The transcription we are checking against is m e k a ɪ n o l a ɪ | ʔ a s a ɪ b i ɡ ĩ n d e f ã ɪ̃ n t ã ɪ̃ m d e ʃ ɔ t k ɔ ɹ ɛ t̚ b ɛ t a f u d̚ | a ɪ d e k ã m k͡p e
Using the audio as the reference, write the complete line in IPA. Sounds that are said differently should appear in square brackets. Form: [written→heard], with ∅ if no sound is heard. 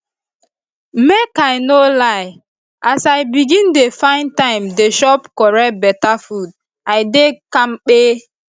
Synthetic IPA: m e k a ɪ n o l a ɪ | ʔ a s a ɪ b i ɡ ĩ n d e f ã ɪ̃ n t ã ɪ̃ m d e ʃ ɔ [t→p] k ɔ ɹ ɛ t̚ b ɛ t a f u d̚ | a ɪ d e k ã m k͡p e